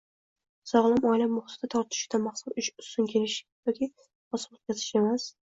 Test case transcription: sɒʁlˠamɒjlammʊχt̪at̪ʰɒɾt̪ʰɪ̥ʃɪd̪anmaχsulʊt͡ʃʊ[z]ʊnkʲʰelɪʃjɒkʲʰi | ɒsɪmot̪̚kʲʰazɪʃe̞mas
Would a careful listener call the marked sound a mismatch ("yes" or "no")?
yes